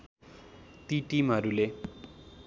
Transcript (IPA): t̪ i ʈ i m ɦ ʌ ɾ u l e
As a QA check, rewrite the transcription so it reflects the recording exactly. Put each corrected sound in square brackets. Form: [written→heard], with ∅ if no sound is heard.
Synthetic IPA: t̪ i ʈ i m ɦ ʌ ɾ u l e